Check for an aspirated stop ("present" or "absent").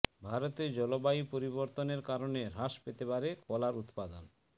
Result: absent